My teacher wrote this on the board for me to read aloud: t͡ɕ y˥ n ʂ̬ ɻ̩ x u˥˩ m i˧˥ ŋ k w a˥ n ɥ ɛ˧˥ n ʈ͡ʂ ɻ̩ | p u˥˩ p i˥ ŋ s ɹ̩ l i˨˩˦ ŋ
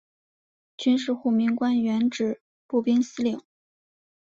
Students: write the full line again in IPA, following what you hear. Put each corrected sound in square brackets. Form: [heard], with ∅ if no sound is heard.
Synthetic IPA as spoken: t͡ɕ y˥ n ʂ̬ ɻ̩ x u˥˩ m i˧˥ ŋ k w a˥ n ɥ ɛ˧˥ n ʈ͡ʂ ɻ̩ | p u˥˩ p i˥ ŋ s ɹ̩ l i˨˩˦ ŋ